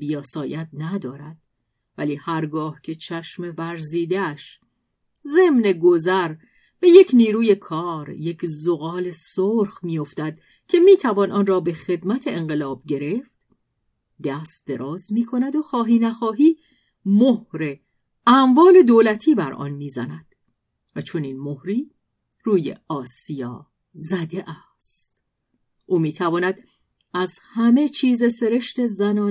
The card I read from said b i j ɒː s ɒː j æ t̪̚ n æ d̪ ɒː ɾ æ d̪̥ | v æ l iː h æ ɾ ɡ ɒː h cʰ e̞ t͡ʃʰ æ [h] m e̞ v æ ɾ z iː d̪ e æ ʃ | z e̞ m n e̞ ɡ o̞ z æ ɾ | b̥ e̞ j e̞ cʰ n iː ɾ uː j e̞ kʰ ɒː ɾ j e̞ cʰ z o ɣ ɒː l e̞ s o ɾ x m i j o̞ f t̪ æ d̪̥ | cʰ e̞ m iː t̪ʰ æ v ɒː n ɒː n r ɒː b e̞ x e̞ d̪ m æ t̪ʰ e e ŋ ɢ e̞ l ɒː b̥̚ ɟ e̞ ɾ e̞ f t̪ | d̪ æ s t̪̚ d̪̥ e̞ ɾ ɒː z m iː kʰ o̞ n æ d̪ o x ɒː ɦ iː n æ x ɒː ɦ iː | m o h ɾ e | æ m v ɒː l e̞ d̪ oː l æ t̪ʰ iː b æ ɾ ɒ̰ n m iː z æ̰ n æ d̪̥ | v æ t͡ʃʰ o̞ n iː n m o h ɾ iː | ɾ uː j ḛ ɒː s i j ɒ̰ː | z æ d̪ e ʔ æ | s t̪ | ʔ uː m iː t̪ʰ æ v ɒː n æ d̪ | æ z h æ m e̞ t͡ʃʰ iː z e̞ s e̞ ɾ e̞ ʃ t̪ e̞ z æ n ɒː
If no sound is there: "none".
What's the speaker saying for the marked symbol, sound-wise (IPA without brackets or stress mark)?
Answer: ʃ